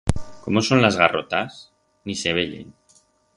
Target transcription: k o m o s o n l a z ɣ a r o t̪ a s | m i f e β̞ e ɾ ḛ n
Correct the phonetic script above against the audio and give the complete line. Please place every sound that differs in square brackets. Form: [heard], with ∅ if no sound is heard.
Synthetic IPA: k o m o s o n l a z ɣ a r o t̪ a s | [n] i [s] e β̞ e [ʎ] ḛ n